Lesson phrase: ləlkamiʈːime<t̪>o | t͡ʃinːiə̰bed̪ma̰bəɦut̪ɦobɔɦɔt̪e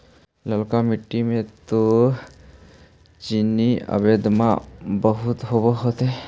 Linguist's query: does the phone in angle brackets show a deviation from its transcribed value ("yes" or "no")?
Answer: no